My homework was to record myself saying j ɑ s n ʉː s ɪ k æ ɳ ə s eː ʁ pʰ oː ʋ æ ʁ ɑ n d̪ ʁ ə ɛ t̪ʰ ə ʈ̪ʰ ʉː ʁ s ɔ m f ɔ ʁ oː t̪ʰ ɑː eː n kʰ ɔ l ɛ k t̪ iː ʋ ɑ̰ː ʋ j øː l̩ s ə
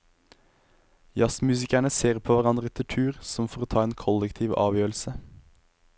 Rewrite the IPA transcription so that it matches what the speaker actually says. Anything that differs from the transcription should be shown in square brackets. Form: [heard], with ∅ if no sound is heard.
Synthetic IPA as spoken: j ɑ s [m] ʉː s ɪ k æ ɳ ə s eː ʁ pʰ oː ʋ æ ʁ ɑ n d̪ ʁ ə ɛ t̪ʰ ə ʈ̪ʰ ʉː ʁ s ɔ m f ɔ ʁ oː t̪ʰ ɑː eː n kʰ ɔ l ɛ k [t̪ʰ] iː ʋ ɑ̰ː ʋ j øː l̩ s ə